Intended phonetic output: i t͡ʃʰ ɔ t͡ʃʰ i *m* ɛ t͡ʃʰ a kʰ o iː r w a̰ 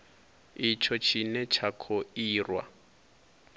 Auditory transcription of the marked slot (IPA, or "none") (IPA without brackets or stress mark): n